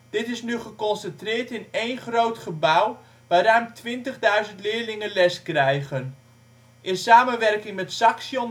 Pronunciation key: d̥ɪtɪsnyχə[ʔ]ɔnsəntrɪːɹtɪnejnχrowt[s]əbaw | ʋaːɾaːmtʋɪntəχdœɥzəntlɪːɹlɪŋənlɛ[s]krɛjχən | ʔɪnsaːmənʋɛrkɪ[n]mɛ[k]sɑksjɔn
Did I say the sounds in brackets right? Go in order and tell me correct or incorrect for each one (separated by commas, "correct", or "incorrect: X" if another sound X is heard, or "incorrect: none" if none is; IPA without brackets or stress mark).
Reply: incorrect: k, incorrect: χ, correct, incorrect: ŋ, incorrect: t